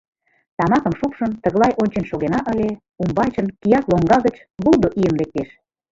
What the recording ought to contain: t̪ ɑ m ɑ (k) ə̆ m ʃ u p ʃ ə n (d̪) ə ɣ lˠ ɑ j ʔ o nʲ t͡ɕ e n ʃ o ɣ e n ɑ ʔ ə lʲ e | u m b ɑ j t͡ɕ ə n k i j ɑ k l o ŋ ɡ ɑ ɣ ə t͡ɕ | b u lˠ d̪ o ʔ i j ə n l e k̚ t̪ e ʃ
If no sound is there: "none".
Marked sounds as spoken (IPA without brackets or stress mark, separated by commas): k, t̪